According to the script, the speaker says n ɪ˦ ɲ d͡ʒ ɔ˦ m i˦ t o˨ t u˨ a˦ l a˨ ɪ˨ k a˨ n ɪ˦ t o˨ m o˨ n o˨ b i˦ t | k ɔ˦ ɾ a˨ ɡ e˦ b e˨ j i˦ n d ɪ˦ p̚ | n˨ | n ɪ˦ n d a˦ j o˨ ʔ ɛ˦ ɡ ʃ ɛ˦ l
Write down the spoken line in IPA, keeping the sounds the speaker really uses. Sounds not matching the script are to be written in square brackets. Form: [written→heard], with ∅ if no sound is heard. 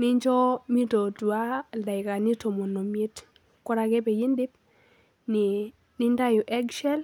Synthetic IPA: n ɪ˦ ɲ d͡ʒ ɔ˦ m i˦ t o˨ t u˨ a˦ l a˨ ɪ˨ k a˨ n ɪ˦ t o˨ m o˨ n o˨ [b→m] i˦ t | k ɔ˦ ɾ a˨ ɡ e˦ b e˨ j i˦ n d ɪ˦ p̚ | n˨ | n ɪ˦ n d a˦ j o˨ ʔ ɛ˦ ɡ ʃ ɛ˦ l